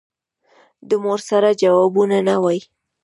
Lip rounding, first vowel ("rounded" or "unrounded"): unrounded